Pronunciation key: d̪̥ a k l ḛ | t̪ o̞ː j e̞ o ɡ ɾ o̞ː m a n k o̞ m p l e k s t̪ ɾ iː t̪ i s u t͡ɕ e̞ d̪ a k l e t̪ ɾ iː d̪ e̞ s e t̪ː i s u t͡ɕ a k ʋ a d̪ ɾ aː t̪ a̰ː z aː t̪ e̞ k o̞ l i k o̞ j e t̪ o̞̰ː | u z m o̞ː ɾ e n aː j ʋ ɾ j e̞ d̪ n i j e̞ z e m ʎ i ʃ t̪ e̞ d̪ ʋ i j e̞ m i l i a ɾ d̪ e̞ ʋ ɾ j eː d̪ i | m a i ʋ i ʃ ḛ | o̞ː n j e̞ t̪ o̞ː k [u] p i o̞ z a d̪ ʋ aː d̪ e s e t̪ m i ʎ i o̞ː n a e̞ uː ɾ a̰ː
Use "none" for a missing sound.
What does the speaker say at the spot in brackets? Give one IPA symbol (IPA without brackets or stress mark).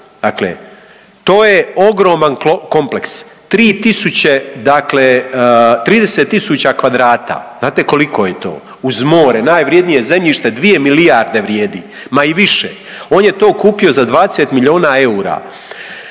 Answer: uː